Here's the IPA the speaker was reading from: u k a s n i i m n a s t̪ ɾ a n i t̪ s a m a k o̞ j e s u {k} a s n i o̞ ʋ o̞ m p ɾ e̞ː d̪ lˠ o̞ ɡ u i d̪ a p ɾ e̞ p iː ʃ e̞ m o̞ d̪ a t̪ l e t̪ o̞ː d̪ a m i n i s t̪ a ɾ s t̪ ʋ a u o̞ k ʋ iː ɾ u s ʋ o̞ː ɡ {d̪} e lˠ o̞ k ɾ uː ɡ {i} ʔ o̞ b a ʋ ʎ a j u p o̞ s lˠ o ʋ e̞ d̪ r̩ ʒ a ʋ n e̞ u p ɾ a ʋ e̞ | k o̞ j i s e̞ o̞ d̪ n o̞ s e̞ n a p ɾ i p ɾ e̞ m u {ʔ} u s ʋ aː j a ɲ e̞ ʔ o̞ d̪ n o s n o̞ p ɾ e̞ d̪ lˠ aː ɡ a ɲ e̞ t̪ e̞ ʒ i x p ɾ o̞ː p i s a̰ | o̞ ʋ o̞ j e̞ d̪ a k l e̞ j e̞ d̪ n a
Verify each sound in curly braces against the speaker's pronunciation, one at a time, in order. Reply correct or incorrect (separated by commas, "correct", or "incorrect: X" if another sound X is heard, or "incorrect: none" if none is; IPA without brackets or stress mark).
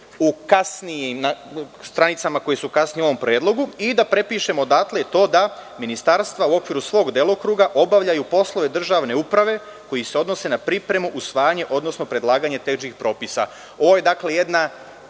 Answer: correct, correct, incorrect: a, correct